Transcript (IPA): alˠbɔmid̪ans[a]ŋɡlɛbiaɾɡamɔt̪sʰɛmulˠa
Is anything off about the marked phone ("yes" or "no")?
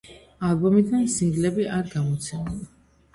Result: yes